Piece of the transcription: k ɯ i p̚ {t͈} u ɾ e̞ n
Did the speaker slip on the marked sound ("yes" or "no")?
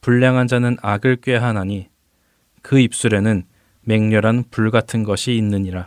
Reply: yes